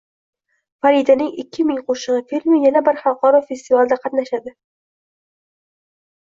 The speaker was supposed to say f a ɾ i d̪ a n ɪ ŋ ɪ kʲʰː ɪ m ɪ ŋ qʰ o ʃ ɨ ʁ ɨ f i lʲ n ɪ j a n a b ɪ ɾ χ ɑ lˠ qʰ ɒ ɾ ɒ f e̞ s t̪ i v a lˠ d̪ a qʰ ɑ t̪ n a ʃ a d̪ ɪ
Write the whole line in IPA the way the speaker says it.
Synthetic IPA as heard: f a ɾ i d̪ a n ɪ ŋ ɪ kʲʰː ɪ m ɪ ŋ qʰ o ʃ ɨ ʁ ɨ f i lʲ m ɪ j a n a b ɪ ɾ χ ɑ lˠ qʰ ɒ ɾ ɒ f e̞ s t̪ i v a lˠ d̪ a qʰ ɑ t̪ n a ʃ a d̪ ɪ